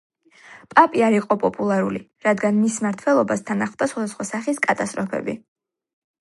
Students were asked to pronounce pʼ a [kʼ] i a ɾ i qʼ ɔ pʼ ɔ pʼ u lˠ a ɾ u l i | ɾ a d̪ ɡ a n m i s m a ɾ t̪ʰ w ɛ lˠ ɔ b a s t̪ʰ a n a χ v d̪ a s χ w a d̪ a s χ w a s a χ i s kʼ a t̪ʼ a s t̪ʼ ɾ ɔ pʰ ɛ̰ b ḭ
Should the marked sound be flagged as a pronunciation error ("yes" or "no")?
yes